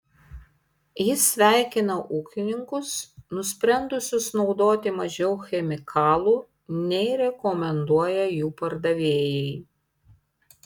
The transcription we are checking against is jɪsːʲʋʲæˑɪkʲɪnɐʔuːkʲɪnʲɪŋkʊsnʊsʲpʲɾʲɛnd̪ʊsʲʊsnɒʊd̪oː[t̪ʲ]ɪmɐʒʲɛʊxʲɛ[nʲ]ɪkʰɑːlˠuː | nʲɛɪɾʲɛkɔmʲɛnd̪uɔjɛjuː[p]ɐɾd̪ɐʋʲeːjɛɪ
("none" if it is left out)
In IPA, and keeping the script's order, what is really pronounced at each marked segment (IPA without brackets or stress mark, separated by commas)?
t̪ʲ, mʲ, p